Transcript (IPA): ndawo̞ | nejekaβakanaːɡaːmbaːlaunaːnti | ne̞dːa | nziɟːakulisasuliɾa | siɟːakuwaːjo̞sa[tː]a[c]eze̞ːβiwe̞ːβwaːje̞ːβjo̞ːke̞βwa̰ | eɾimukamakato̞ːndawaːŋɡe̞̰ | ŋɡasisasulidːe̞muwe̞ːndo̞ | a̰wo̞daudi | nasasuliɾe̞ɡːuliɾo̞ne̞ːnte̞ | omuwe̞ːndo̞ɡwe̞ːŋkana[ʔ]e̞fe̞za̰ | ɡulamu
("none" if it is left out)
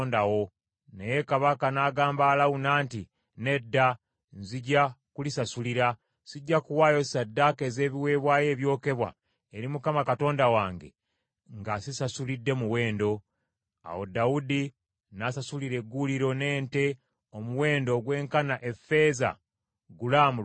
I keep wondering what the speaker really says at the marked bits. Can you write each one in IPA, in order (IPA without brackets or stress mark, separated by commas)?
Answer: dː, k, ʔ